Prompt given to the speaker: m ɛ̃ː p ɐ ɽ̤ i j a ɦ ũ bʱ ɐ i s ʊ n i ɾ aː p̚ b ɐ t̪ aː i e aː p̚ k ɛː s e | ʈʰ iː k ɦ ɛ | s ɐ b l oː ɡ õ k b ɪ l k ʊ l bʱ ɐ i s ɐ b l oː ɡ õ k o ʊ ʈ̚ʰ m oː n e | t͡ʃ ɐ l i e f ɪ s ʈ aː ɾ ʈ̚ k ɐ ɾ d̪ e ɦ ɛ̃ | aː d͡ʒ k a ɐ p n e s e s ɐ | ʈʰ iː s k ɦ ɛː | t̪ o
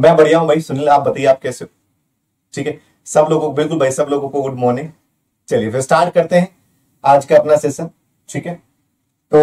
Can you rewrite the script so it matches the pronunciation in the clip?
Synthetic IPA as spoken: m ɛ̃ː b ɐ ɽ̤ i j a ɦ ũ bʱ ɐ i s ʊ n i l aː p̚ b ɐ t̪ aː i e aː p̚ k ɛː s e | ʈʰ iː k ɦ ɛ | s ɐ b l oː ɡ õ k b ɪ l k ʊ l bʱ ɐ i s ɐ b l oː ɡ õ k o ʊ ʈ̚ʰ m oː n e | t͡ʃ ɐ l i e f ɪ s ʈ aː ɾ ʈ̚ k ɐ ɾ t̪ e ɦ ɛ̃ | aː d͡ʒ k a ɐ p n a s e s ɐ | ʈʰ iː k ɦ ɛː | t̪ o